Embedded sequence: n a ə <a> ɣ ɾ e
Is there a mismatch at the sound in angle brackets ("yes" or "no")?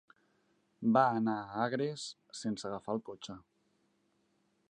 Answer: no